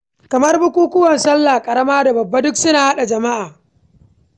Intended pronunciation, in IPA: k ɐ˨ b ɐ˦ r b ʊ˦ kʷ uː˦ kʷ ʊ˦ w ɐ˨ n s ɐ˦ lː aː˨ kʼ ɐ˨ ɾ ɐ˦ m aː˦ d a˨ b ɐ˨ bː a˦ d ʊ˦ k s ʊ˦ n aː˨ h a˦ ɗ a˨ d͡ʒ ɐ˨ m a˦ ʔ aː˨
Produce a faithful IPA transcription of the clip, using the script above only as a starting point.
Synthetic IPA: k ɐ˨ m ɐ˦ r b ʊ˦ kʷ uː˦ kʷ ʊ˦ w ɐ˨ n s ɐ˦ lː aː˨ kʼ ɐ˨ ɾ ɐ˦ m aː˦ d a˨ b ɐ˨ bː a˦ d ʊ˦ k s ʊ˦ n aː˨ h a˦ ɗ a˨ d͡ʒ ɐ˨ m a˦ ʔ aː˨